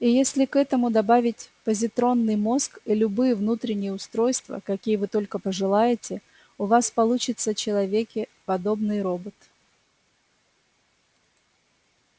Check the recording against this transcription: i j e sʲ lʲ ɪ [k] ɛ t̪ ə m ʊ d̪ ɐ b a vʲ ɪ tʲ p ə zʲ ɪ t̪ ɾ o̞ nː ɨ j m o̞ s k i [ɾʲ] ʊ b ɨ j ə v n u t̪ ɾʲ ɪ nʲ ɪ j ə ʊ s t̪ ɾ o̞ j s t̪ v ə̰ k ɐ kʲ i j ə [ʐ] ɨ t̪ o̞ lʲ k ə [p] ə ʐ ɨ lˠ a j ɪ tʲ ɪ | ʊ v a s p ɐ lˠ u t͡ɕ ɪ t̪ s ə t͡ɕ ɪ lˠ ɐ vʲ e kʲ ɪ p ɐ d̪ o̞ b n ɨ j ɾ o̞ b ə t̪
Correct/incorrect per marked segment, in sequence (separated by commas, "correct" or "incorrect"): correct, incorrect, incorrect, correct